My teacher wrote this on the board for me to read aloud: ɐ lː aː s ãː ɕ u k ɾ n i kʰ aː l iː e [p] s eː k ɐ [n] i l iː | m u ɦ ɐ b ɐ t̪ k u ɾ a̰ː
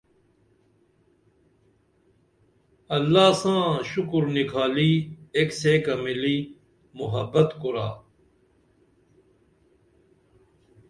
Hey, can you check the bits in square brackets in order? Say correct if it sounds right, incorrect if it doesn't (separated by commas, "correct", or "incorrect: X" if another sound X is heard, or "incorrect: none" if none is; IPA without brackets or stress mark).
incorrect: k, incorrect: m